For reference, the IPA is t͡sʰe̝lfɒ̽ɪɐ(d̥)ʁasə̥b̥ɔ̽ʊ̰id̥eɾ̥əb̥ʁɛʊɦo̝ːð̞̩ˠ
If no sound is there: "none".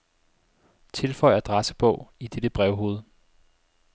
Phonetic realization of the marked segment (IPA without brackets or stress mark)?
d̥